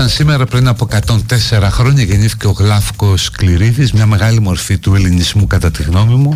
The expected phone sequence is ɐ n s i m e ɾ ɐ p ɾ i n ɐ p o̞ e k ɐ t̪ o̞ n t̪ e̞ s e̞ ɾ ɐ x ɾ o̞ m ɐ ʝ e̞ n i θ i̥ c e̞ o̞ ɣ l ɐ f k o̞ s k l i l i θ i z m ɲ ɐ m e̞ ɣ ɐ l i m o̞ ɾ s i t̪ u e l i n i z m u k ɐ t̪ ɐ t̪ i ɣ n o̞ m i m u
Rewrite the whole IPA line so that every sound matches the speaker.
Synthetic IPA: ɐ n s i m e ɾ ɐ p ɾ i n ɐ p o̞ e k ɐ t̪ o̞ n t̪ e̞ s e̞ ɾ ɐ x ɾ o̞ ɲ ɐ ʝ e̞ n i θ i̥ c e̞ o̞ ɣ l ɐ f k o̞ s k l i ɾ i ð i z m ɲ ɐ m e̞ ɣ ɐ l i m o̞ ɾ f i t̪ u e l i n i z m u k ɐ t̪ ɐ t̪ i ɣ n o̞ m i m u